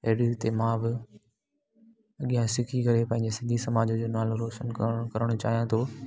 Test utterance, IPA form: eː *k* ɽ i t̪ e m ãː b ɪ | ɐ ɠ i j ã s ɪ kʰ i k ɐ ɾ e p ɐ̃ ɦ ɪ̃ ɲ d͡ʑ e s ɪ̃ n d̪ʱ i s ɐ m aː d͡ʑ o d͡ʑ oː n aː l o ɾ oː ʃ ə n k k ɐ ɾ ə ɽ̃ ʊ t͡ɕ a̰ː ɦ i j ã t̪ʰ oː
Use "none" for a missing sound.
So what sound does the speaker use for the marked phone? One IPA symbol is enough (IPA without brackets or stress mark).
none